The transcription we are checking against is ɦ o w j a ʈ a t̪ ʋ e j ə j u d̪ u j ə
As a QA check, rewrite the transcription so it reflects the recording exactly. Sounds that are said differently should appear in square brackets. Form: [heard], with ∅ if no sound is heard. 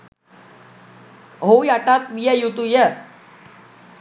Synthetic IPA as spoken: ɦ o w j a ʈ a t̪ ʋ [i] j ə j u [t̪] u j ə